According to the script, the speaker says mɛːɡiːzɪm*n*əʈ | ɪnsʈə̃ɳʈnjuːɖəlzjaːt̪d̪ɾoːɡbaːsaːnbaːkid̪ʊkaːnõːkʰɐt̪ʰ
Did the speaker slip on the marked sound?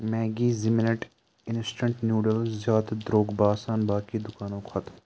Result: no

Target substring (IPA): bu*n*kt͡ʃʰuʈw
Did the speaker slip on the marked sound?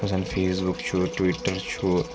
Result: yes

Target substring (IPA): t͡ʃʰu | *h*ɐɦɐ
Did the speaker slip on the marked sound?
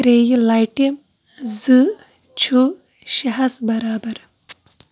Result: yes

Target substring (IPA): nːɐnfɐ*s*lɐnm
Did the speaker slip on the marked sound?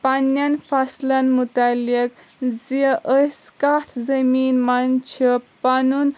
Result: no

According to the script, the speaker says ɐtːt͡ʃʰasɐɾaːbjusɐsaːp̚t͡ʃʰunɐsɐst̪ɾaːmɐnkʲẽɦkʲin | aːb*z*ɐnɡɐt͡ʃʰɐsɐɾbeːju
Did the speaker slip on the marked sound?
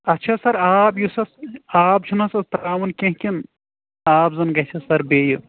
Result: no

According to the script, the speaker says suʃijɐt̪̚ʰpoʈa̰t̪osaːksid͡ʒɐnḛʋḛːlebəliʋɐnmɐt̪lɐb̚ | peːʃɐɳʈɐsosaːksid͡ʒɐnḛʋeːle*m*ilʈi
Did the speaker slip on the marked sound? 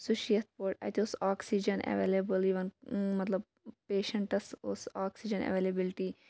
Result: yes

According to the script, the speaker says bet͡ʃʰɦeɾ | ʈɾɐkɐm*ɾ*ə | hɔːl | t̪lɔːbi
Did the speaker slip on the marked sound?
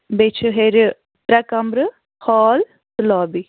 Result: no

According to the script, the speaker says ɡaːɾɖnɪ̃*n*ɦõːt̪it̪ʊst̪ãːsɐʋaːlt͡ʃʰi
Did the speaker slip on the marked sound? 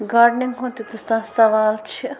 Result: yes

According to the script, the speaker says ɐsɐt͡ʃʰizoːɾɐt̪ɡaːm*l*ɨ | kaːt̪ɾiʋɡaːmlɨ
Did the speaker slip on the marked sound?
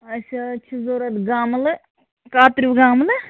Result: no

